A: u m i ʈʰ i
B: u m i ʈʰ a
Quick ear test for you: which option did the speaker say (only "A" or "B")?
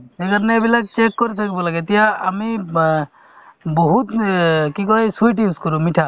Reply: B